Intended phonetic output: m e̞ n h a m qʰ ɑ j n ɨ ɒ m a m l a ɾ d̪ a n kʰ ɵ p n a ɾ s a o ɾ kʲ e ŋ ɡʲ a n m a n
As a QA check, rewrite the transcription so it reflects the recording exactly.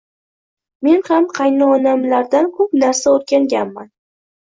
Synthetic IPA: m e̞ n h a m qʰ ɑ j n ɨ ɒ n a m l a ɾ d̪ a n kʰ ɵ p n a ɾ s a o ɾ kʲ a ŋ ɡʲ a n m a n